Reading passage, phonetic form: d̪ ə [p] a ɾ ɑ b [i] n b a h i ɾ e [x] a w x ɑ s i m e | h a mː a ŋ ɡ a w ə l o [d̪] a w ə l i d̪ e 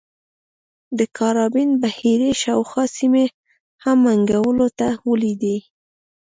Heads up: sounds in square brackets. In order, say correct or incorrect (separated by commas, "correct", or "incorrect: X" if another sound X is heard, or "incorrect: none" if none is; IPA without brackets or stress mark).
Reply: incorrect: k, correct, incorrect: ʃ, incorrect: t̪